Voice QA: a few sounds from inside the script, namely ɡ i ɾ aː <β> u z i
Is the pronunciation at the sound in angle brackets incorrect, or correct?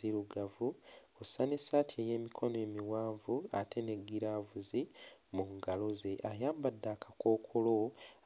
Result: incorrect